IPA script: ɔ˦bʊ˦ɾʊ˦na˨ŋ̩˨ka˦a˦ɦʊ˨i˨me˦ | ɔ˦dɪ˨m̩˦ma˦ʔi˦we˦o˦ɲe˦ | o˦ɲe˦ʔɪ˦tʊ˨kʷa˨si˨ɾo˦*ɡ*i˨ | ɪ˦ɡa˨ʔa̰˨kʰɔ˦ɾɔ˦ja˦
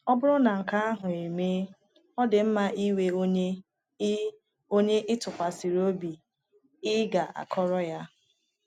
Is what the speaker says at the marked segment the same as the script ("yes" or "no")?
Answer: no